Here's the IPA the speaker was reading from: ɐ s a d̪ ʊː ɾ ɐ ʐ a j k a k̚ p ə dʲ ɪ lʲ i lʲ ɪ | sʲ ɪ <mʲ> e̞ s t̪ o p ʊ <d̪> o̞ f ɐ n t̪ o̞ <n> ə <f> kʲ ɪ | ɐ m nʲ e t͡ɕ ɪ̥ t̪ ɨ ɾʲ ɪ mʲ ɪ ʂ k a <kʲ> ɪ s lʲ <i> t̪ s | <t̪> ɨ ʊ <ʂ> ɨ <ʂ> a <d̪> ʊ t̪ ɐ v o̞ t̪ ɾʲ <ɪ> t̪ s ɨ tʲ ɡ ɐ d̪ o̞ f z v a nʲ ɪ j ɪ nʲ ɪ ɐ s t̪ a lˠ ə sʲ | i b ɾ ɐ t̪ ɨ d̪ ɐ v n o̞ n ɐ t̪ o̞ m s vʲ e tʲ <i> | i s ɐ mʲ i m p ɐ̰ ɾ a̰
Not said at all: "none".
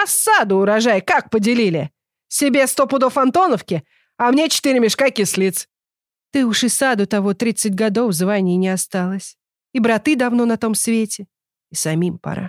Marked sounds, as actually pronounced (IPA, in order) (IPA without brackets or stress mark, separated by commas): bʲ, d̪, n, f, kʲ, i, t̪, ʂ, s, d̪, i, ɪ